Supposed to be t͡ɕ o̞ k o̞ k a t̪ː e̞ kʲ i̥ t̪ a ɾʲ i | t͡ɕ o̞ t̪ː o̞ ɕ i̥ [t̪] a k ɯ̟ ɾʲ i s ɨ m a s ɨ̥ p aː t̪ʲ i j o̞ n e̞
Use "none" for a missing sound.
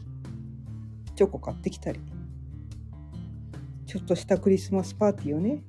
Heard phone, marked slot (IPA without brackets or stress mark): t̪